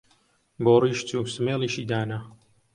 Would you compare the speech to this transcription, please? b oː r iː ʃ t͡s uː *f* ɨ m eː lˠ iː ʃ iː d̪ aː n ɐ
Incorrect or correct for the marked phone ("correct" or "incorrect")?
incorrect